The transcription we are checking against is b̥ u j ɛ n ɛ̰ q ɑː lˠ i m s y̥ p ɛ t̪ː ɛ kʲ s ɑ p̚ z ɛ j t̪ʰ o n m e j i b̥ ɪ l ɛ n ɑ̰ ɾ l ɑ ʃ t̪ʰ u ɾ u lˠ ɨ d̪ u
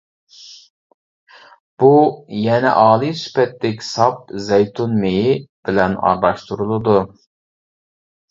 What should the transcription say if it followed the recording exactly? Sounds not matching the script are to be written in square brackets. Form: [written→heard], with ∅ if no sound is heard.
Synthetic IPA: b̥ u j ɛ n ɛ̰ [q→ʔ] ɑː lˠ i [m→∅] s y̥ p ɛ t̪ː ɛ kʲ s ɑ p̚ z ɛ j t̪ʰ [o→u] n m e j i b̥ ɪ l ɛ n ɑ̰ ɾ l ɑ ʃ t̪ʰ u ɾ u lˠ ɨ d̪ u